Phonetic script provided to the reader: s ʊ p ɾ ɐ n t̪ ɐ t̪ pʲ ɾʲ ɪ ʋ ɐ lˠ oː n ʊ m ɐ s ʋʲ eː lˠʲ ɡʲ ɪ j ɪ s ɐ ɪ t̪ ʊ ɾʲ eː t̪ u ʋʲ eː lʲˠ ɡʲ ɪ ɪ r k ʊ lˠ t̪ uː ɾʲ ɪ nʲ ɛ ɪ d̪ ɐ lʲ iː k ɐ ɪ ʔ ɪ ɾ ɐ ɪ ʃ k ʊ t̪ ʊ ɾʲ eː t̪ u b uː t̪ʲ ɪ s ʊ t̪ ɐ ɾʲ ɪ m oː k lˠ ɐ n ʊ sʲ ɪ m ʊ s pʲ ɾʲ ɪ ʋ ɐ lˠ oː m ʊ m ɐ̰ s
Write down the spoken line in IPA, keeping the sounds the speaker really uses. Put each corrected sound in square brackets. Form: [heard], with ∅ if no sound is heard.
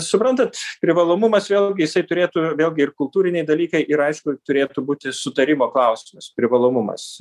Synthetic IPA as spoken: s ʊ p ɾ ɐ n t̪ ɐ t̪ pʲ ɾʲ ɪ ʋ ɐ lˠ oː [m] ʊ m ɐ s ʋʲ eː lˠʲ ɡʲ ɪ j ɪ s ɐ ɪ t̪ ʊ ɾʲ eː t̪ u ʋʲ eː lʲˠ ɡʲ ɪ ɪ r k ʊ lˠ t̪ uː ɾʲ ɪ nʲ ɛ ɪ d̪ ɐ lʲ iː k ɐ ɪ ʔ ɪ ɾ ɐ ɪ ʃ k ʊ t̪ ʊ ɾʲ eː t̪ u b uː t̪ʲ ɪ s ʊ t̪ ɐ ɾʲ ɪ m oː k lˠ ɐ [∅] ʊ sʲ ɪ m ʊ s pʲ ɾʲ ɪ ʋ ɐ lˠ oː m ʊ m ɐ̰ s